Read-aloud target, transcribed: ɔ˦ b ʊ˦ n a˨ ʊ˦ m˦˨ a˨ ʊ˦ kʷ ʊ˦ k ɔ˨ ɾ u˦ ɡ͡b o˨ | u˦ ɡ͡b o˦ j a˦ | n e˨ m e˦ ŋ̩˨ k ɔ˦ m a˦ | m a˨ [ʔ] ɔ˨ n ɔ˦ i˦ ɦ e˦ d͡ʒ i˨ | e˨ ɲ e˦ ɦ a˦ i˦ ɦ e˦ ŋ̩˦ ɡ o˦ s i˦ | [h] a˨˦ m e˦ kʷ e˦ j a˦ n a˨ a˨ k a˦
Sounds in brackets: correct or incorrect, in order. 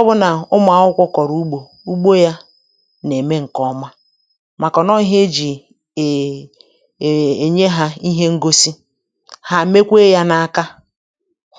incorrect, correct

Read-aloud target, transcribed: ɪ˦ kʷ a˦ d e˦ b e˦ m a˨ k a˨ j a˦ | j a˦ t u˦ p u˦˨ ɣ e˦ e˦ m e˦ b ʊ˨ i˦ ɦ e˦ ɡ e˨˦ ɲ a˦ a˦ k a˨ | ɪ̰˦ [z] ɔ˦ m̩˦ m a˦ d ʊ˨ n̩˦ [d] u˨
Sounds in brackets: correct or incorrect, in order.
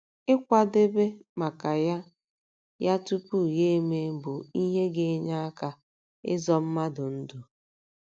correct, correct

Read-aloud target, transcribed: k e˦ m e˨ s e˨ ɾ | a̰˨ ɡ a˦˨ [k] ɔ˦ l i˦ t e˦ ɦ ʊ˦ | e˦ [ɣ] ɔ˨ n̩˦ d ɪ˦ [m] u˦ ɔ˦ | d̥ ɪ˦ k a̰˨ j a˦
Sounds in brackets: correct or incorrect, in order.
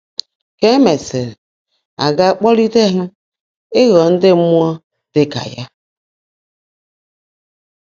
incorrect, correct, correct

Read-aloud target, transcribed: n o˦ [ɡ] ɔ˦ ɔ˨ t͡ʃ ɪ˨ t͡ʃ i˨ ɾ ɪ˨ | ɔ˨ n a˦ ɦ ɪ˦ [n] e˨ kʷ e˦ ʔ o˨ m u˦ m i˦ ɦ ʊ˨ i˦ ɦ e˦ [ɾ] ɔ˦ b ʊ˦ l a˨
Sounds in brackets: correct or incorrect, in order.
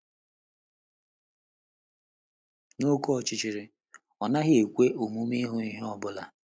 incorrect, incorrect, incorrect

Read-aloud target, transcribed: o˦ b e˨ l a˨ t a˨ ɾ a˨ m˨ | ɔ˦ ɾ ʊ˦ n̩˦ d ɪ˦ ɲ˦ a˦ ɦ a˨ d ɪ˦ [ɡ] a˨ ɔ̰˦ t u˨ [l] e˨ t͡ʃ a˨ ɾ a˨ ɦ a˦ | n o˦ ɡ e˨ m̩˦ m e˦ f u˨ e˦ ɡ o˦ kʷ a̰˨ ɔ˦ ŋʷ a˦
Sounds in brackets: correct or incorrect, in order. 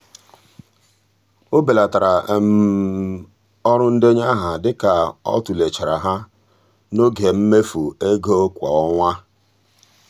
incorrect, correct

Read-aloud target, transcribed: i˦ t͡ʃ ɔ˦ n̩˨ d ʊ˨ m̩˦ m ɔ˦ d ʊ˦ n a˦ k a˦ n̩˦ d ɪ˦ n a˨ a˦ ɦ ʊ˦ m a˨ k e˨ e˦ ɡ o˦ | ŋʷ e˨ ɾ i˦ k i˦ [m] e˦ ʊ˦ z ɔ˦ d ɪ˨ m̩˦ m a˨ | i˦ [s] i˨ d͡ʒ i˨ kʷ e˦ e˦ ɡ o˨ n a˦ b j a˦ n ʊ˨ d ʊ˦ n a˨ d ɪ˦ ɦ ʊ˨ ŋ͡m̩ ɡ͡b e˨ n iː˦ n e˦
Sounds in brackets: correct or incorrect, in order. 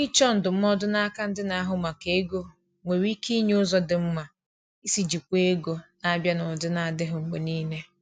incorrect, correct

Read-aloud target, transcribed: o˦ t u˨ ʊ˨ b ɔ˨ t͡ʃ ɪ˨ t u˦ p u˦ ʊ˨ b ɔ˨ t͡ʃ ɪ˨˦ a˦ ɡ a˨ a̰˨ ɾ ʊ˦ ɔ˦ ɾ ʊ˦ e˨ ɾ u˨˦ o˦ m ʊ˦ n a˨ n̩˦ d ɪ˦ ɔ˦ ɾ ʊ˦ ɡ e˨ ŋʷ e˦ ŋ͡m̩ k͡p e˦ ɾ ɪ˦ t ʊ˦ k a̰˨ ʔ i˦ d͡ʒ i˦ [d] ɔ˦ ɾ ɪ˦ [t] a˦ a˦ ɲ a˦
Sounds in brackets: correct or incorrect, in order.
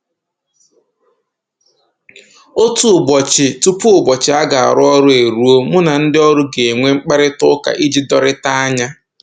correct, correct

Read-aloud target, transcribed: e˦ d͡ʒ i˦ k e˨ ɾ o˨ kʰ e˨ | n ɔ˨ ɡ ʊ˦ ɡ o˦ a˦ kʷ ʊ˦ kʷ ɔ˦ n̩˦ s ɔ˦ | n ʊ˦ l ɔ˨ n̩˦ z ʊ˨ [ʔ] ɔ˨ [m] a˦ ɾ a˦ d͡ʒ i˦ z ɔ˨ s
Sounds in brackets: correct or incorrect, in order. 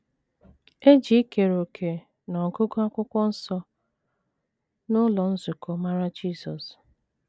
incorrect, correct

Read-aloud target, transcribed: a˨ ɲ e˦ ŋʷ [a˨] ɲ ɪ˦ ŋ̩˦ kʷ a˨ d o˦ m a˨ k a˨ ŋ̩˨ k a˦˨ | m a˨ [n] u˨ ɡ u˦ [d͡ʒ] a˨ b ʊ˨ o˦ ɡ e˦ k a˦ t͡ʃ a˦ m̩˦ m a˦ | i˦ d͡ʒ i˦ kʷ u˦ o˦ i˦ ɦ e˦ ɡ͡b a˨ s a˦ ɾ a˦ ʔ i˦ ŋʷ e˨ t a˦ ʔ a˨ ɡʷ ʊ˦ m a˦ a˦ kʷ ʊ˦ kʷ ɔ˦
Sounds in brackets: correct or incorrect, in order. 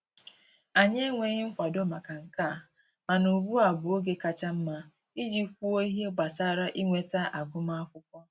incorrect, correct, incorrect

